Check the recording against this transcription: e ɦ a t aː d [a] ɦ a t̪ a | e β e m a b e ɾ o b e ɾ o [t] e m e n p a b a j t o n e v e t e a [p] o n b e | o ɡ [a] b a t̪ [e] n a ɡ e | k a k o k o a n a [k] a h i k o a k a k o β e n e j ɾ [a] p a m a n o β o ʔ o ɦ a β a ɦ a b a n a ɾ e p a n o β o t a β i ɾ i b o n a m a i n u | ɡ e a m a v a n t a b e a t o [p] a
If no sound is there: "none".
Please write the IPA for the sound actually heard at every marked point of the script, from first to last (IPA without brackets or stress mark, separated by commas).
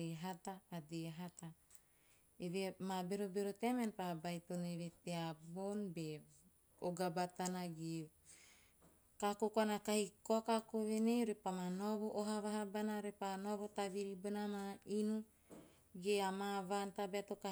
e, t, b, a, a, k, e, k